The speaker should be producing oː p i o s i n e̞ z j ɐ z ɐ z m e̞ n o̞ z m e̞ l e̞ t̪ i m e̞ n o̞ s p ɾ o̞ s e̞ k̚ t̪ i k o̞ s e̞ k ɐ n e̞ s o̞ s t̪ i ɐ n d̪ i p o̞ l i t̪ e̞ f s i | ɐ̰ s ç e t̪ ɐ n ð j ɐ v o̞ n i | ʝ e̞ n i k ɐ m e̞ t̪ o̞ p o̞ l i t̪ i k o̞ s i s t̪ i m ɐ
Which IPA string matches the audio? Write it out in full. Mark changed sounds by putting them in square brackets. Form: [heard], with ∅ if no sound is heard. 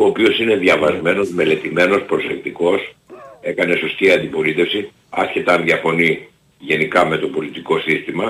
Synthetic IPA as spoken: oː p i o s i n e̞ [ð] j ɐ [v] ɐ z m e̞ n o̞ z m e̞ l e̞ t̪ i m e̞ n o̞ s p ɾ o̞ s e̞ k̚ t̪ i k o̞ s e̞ k ɐ n e̞ s o̞ s t̪ i ɐ n d̪ i p o̞ l i t̪ e̞ f s i | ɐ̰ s ç e t̪ ɐ n ð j ɐ [f] o̞ n i | ʝ e̞ n i k ɐ m e̞ t̪ o̞ p o̞ l i t̪ i k o̞ s i s t̪ i m ɐ